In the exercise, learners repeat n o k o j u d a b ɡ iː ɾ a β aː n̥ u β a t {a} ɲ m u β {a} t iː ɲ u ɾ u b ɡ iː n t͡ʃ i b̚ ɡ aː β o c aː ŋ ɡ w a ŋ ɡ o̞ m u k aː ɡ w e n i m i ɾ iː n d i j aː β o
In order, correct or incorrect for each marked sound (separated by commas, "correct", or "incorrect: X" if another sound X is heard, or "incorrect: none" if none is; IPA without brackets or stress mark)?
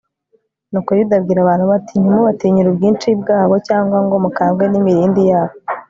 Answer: incorrect: i, correct